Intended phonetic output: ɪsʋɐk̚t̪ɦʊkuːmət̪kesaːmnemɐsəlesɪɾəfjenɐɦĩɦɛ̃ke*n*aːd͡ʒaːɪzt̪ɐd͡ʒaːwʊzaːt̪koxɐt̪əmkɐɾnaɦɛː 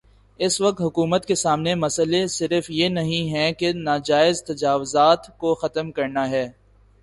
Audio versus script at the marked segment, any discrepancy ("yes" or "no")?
no